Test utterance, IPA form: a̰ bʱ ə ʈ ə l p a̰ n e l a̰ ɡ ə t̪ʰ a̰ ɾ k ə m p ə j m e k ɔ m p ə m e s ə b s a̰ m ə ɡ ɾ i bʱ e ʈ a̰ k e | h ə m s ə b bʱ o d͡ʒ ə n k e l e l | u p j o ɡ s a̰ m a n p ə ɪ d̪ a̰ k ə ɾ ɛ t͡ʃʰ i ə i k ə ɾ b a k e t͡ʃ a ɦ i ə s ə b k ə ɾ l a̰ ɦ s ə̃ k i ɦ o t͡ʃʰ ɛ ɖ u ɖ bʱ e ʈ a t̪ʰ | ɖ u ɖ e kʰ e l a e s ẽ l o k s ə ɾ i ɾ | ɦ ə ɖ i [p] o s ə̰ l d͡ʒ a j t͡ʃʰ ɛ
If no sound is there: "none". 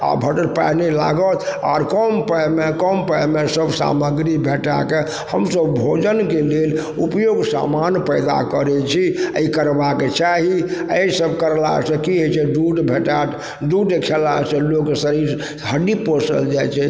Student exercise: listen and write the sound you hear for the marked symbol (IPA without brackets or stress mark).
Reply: p